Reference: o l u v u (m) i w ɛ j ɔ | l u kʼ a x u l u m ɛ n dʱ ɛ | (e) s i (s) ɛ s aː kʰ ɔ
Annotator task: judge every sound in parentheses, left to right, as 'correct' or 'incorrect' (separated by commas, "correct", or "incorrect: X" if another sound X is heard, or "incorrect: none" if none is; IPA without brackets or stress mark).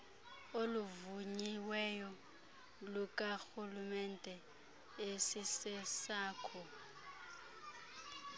incorrect: ɲ, correct, correct